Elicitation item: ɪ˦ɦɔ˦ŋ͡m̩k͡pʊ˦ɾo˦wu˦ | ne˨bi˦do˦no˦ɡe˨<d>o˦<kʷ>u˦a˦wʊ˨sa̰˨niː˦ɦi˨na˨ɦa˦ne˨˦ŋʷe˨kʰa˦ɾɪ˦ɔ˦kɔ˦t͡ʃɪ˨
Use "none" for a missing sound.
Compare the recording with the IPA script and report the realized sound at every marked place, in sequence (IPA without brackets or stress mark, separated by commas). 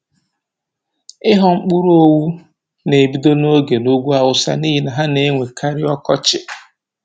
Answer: n, ɡʷ